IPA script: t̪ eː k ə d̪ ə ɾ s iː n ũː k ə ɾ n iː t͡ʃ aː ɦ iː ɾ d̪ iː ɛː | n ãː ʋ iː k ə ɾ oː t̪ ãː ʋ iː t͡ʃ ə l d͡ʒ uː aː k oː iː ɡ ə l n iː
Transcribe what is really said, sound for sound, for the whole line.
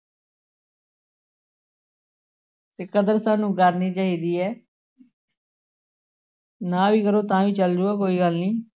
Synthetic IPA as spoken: t̪ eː k ə d̪ ə ɾ s aː n ũː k ə ɾ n iː t͡ʃ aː ɦ iː d̪ iː ɛː | n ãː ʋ iː k ə ɾ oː t̪ ãː ʋ iː t͡ʃ ə l d͡ʒ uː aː k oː iː ɡ ə l n iː

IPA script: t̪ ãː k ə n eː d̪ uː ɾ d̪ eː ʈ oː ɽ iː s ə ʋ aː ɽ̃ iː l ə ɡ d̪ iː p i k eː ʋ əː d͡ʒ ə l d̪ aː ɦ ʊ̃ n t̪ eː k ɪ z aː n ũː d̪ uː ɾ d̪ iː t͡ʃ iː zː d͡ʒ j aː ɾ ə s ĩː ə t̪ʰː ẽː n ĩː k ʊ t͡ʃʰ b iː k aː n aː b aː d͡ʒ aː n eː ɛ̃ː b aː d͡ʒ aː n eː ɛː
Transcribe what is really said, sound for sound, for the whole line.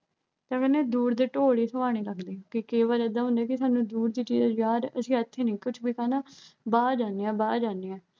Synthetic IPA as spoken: t̪ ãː k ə n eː d̪ uː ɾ d̪ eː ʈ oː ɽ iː s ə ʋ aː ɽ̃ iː l ə ɡ d̪ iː k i k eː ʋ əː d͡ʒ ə d̪ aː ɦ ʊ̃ n d̪ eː k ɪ s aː n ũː d̪ uː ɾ d̪ iː t͡ʃ iː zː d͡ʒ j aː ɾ ə s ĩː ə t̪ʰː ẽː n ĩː k ʊ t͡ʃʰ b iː k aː n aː b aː d͡ʒ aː n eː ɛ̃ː b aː d͡ʒ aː n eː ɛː

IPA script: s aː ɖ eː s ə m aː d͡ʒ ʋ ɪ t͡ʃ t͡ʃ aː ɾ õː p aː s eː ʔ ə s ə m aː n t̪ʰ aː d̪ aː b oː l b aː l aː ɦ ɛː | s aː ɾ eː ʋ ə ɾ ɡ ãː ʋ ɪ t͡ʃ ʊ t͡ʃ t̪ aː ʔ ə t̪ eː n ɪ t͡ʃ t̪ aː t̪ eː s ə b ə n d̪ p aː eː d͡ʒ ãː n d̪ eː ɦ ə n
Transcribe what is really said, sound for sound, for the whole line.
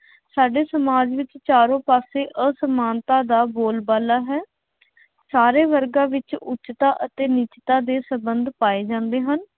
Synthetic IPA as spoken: s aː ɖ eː s ə m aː d͡ʒ ʋ ɪ t͡ʃ t͡ʃ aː ɾ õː p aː s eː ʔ ə s ə m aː n t̪ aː d̪ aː b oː l b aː l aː ɦ ɛː | s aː ɾ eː ʋ ə ɾ ɡ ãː ʋ ɪ t͡ʃ ʊ t͡ʃ t̪ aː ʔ ə t̪ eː n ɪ t͡ʃ t̪ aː d̪ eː s ə b ə n d̪ p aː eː d͡ʒ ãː n d̪ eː ɦ ə n

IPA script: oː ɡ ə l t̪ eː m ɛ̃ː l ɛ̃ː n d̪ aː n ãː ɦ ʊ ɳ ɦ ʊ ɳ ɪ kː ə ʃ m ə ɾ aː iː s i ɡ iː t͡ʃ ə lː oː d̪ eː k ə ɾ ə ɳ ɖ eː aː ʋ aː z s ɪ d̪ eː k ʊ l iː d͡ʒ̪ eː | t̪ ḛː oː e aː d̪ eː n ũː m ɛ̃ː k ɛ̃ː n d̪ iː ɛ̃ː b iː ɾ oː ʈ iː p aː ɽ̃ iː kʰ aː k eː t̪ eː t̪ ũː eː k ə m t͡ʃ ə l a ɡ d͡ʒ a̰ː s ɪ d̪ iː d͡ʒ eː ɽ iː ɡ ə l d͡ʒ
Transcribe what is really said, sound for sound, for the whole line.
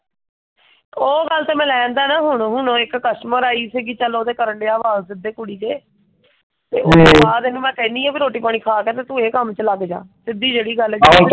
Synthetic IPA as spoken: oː ɡ ə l t̪ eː m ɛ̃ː l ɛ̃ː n d̪ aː n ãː ɦ ʊ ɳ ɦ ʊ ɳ ɪ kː ə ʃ m ə ɾ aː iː s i ɡ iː t͡ʃ ə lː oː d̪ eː k ə ɾ ə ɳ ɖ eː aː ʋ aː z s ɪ d̪ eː k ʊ ɽ iː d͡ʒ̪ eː | t̪ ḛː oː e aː d̪ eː n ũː m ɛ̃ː k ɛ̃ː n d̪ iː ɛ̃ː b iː ɾ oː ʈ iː p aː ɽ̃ iː kʰ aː k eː t̪ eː t̪ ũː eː k ə m t͡ʃ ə l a ɡ d͡ʒ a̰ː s ɪ d̪ iː d͡ʒ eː ɽ iː ɡ ə l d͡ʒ

